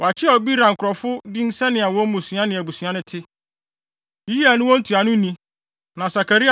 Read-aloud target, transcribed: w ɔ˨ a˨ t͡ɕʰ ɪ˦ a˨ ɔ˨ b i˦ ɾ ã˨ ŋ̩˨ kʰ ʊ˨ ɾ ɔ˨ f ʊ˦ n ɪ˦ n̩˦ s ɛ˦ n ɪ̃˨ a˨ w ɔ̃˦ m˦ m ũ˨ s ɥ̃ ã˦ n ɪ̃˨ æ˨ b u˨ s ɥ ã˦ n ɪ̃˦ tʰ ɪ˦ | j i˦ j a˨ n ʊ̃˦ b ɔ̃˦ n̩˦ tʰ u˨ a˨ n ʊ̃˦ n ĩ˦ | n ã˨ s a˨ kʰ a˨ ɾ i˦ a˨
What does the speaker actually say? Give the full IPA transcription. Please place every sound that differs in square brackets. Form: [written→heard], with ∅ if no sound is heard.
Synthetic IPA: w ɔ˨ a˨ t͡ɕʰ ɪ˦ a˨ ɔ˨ b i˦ ɾ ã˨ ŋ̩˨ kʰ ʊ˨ ɾ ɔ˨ f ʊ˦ [n→d] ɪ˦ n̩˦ s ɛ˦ n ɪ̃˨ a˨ w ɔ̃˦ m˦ m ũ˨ s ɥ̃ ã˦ n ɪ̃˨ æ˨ b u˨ s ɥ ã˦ n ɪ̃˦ tʰ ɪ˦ | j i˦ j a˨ n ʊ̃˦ [b→w] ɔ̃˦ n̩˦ tʰ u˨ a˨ n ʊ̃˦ n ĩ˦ | n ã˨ s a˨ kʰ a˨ ɾ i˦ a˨